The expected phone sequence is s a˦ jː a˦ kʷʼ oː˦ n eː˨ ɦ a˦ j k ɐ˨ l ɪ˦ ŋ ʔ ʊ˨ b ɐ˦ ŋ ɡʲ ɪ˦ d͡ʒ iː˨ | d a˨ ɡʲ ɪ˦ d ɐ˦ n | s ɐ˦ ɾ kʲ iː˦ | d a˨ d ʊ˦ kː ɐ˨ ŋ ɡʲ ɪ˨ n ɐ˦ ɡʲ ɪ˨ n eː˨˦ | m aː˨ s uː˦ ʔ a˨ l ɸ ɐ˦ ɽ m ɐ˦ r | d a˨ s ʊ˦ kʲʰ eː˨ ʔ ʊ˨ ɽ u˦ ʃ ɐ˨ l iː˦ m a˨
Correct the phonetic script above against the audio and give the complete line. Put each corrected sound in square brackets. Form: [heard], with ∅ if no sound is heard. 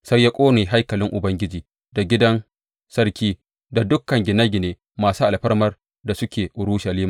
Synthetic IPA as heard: s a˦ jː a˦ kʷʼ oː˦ n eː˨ ɦ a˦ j k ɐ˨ l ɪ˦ ŋ ʔ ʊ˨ b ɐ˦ ŋ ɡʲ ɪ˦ d͡ʒ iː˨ | d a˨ ɡʲ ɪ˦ d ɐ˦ n | s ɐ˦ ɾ kʲ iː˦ | d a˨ d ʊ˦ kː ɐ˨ ŋ ɡʲ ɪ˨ n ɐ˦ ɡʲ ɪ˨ n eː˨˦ | m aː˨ s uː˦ ʔ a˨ l ɸ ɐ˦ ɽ m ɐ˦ r | d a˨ s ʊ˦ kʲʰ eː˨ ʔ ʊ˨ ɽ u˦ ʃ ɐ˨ l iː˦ m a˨